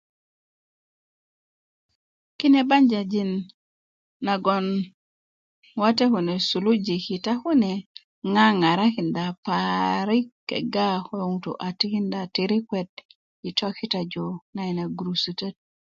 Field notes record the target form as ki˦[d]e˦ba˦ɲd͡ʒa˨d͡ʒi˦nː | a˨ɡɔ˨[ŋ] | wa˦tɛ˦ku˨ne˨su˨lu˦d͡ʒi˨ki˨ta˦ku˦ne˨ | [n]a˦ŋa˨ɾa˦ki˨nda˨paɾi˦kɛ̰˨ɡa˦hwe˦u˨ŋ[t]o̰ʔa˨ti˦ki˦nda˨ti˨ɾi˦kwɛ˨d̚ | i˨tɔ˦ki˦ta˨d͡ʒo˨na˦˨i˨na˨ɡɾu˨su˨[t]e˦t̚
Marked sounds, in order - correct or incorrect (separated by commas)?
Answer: incorrect, incorrect, incorrect, correct, correct